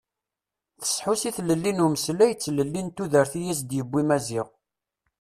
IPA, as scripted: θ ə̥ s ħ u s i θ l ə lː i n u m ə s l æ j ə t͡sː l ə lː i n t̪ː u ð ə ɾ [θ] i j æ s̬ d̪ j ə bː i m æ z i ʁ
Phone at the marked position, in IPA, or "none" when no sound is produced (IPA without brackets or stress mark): θ